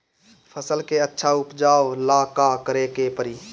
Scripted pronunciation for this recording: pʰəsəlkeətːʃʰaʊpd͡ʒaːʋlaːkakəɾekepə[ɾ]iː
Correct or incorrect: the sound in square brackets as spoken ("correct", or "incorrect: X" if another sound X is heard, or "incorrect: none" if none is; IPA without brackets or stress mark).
correct